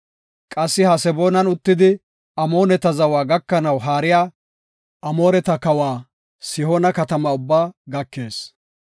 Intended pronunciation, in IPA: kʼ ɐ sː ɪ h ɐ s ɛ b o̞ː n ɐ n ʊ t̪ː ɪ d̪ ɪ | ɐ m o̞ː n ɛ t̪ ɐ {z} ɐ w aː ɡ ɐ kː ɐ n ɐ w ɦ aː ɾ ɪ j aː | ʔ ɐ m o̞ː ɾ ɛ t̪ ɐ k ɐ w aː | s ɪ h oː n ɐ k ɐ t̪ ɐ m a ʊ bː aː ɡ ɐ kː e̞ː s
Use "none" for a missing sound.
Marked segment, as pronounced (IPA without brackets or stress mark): z